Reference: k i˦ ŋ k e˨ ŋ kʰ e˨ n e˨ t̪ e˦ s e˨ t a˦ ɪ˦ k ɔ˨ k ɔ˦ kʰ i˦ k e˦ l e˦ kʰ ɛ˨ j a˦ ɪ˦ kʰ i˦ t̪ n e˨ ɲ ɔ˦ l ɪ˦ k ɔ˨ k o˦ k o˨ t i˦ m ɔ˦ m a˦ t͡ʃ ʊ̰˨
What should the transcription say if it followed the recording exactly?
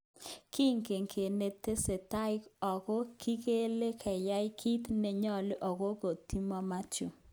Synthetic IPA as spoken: k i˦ ŋ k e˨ ŋ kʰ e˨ n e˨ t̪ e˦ s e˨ t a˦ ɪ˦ k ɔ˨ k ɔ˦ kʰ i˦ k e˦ l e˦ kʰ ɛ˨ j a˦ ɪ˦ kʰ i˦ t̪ n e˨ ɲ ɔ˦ l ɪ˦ ʔ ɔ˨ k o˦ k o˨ t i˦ m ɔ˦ m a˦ t͡ʃ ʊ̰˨